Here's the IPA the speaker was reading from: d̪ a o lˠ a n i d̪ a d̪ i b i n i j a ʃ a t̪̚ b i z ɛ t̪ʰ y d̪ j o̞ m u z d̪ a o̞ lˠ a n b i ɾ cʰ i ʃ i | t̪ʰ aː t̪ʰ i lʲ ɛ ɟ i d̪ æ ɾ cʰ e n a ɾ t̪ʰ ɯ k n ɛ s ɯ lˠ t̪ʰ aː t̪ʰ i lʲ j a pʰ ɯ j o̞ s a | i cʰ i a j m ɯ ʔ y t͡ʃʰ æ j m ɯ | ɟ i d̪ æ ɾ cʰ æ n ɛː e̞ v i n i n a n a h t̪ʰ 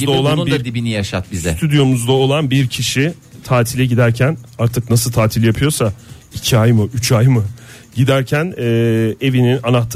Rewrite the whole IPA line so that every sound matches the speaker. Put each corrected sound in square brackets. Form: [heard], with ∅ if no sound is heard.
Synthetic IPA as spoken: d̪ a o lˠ a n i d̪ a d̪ i b i n i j a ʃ a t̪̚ b i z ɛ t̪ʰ y d̪ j o̞ m u z d̪ a o̞ lˠ a n b i ɾ cʰ i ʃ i | t̪ʰ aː t̪ʰ i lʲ ɛ ɟ i d̪ æ ɾ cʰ [æ] n a ɾ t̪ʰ ɯ k n [a] s ɯ lˠ t̪ʰ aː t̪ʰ i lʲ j a pʰ ɯ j o̞ s a | i cʰ i a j m ɯ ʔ y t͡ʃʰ [a] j m ɯ | ɟ i d̪ æ ɾ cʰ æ n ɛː e̞ v i n i n a n a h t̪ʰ